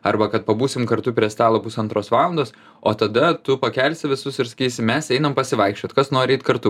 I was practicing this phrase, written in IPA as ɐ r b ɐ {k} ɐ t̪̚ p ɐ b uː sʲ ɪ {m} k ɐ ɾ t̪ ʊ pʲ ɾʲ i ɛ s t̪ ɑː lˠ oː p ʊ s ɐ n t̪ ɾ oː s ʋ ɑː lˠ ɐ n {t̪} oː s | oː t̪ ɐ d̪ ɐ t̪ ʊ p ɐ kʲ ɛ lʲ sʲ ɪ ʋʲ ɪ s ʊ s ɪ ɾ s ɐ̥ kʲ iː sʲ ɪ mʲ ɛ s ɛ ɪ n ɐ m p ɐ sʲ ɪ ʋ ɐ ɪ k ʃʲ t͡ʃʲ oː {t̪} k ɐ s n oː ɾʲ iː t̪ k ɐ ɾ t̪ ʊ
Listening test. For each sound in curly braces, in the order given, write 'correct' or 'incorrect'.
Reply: correct, correct, incorrect: d̪, correct

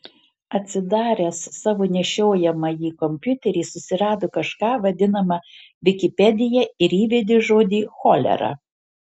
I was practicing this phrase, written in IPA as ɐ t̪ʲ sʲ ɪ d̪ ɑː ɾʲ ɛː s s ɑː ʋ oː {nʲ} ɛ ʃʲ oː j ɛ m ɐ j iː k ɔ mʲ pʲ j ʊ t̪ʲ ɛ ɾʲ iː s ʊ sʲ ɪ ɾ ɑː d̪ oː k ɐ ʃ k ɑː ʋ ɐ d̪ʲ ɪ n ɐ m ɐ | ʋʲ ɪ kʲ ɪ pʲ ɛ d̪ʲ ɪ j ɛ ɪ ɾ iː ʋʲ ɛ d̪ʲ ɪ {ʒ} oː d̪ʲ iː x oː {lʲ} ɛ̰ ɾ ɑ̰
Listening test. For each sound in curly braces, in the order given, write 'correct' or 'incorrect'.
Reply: correct, correct, correct

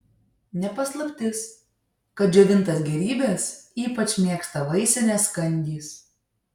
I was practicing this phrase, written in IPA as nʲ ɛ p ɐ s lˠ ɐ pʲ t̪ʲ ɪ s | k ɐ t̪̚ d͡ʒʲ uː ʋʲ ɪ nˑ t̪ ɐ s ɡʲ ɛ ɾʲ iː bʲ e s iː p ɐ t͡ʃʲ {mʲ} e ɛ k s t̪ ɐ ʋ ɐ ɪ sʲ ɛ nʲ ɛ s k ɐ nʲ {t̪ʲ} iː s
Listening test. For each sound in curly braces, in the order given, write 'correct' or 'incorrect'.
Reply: correct, incorrect: d̪ʲ

